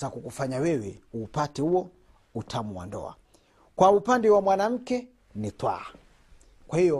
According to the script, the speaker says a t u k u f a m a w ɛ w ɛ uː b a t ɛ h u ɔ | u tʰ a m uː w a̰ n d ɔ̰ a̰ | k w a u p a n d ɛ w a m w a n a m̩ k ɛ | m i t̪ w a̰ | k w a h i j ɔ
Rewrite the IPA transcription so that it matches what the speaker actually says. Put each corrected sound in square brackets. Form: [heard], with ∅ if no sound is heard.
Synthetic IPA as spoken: a [k] u k u f a [ɲ] a w ɛ w ɛ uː [p] a t ɛ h u ɔ | u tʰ a m [u] w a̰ n d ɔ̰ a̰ | k w a u p a n d ɛ w a m w a n a m̩ k ɛ | [n] i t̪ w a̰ | k w a h i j ɔ